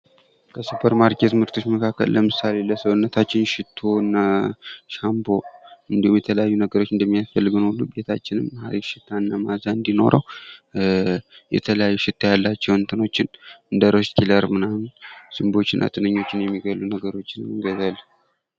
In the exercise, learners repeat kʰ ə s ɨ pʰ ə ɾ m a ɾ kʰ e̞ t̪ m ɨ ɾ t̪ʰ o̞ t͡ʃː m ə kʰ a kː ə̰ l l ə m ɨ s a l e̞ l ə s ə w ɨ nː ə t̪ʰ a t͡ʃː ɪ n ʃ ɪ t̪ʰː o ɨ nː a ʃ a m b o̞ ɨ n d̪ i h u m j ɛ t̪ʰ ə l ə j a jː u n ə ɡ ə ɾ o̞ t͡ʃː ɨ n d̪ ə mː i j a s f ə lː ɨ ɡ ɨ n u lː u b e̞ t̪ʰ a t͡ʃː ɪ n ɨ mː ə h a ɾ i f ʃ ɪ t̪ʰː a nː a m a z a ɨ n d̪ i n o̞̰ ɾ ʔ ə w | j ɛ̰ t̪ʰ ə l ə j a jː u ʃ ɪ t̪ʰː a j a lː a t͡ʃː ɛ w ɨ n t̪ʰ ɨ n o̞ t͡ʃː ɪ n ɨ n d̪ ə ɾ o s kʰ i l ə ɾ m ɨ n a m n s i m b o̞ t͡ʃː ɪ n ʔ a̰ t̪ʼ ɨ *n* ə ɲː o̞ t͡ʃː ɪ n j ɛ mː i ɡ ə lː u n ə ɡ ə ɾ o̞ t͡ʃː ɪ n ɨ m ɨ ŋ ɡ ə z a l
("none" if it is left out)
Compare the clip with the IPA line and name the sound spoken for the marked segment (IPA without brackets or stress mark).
n